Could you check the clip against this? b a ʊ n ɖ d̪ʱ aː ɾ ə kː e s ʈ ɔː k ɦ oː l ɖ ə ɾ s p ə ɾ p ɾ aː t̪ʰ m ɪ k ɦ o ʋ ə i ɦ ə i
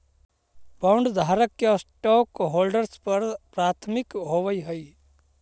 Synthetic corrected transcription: b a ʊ ɳ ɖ d̪ʱ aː ɾ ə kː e s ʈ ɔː k ɦ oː l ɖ ə ɾ s p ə ɾ p ɾ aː t̪ʰ m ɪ k ɦ o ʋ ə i ɦ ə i